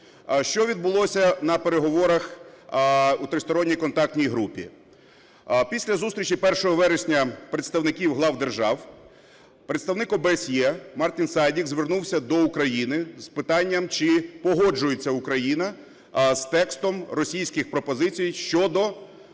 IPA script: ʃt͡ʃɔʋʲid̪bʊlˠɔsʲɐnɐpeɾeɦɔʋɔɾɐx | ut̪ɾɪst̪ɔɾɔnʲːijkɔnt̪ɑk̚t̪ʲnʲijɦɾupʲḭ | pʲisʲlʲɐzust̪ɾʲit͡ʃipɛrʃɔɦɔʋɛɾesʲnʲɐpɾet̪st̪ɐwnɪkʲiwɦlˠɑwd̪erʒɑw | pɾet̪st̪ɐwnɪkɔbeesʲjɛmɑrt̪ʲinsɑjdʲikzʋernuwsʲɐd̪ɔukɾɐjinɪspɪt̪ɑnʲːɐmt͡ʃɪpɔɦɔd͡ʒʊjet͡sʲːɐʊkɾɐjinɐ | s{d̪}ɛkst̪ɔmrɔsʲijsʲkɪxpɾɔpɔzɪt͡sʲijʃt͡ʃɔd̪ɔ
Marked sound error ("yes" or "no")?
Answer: yes